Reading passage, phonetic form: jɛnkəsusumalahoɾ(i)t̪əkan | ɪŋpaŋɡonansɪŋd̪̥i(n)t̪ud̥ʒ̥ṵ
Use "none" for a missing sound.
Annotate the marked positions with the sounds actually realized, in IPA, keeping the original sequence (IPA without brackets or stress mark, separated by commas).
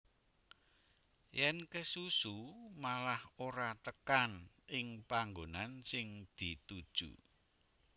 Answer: a, none